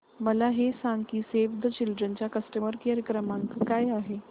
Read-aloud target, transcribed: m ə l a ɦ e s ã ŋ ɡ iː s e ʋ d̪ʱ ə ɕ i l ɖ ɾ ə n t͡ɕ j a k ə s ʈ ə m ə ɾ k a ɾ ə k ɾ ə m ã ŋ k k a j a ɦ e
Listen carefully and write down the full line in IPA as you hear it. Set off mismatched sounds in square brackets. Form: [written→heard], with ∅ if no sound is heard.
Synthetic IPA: m ə l a ɦ e s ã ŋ [ɡ→k] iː s e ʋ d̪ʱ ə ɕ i l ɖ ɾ ə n t͡ɕ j a k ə s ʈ ə m ə ɾ k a ɾ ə k ɾ ə m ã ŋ k k a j a ɦ e